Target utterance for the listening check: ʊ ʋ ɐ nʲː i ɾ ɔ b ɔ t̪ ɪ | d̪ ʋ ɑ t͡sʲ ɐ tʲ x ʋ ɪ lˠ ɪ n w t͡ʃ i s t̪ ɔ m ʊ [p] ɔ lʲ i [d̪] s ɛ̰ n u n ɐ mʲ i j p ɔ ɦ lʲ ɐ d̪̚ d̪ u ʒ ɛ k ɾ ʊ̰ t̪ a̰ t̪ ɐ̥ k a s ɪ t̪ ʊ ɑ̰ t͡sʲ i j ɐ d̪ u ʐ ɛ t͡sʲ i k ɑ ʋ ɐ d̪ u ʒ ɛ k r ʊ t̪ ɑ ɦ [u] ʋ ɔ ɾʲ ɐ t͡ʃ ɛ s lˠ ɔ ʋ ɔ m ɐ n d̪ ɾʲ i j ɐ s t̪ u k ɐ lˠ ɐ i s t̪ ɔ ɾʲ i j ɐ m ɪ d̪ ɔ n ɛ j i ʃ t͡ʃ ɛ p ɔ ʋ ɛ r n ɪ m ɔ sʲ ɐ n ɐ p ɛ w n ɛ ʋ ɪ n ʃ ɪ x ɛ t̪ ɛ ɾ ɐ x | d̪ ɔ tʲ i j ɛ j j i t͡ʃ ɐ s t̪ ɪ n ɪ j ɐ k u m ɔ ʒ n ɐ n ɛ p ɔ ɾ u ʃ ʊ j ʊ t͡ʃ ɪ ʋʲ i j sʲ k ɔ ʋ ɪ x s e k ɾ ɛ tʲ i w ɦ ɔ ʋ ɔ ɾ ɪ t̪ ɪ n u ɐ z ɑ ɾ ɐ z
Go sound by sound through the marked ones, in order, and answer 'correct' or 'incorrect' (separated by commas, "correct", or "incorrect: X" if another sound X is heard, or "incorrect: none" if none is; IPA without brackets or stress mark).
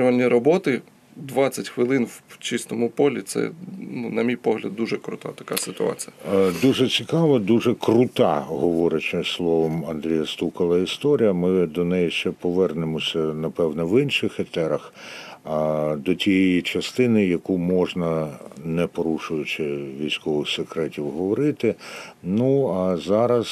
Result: correct, incorrect: t̪, incorrect: ɔ